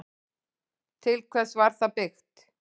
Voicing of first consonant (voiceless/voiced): voiceless